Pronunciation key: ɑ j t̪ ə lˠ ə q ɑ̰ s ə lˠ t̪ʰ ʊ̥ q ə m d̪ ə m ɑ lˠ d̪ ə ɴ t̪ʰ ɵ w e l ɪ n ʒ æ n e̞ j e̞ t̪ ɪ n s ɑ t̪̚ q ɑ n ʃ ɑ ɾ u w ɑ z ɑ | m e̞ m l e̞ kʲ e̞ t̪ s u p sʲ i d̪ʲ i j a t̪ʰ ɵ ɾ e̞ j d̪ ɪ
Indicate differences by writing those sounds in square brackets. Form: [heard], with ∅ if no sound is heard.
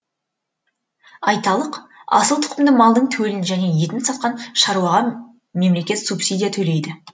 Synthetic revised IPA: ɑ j t̪ [ɑ] lˠ ə q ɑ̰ s ə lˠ t̪ʰ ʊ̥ q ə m d̪ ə m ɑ lˠ d̪ ə ɴ t̪ʰ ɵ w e l ɪ n ʒ æ n e̞ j e̞ t̪ ɪ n s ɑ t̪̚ q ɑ n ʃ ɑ ɾ u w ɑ [ʁ] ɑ | m e̞ m l e̞ kʲ e̞ t̪ s u p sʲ i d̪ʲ i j a t̪ʰ ɵ [l] e̞ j d̪ ɪ